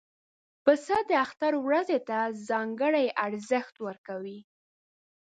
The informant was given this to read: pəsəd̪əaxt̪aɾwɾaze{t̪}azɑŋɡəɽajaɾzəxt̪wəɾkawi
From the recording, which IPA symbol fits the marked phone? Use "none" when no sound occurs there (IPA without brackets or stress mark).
t̪